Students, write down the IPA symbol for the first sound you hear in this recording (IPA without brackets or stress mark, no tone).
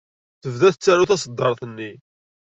θ